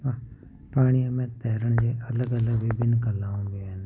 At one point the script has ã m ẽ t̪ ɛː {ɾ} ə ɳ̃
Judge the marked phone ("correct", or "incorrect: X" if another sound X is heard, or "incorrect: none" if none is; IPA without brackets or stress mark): correct